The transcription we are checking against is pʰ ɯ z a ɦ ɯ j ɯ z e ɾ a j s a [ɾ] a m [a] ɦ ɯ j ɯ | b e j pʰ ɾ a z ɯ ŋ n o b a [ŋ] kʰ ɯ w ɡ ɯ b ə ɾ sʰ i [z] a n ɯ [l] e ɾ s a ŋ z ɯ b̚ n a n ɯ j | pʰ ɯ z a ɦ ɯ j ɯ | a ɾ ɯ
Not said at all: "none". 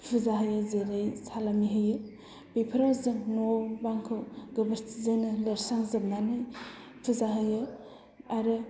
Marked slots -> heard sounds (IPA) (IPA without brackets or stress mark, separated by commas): l, i, ŋ, z, l